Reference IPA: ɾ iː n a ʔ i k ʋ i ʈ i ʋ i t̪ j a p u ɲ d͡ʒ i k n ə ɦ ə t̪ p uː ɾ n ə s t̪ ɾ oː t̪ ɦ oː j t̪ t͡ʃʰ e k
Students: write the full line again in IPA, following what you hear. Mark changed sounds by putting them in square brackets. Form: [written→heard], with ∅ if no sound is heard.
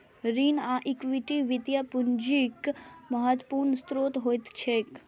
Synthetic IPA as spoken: ɾ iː n a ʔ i k ʋ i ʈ i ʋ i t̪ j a p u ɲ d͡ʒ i k [n→m] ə ɦ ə t̪ p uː ɾ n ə s t̪ ɾ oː t̪ ɦ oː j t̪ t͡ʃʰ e k